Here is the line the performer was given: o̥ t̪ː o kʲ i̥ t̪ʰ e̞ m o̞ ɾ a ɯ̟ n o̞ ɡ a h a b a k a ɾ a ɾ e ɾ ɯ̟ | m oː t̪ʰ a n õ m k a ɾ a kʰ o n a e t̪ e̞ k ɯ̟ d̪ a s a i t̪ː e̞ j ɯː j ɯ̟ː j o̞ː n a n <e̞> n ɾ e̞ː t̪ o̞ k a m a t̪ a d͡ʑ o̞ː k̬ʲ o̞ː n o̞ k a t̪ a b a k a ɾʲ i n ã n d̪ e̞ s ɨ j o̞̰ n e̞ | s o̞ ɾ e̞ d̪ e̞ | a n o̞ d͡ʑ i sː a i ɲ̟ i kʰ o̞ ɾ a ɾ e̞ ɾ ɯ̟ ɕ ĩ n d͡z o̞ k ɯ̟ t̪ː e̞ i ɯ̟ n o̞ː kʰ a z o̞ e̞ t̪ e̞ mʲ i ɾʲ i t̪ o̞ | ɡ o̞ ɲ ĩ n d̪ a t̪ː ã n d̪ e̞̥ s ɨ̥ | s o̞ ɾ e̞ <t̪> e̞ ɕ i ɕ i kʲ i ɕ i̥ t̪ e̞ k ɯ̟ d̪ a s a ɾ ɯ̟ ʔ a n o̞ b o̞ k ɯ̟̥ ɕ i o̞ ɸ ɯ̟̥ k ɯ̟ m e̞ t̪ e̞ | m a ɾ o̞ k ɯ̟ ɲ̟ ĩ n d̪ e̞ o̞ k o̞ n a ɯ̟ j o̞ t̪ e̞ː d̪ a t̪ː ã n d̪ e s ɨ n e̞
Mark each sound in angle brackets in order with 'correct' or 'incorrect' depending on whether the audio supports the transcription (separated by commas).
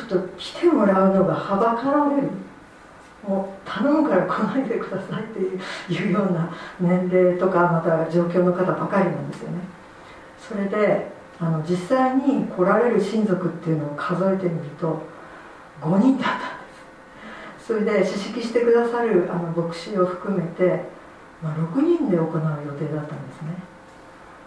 incorrect, incorrect